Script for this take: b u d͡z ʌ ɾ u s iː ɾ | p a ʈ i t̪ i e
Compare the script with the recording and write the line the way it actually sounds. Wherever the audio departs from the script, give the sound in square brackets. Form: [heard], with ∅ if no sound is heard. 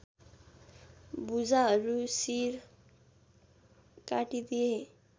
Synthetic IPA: b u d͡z [a] ɾ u s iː ɾ | [k] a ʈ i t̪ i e